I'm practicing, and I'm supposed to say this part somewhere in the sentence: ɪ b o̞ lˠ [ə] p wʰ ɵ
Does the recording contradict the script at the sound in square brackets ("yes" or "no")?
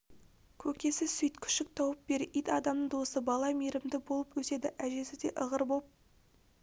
no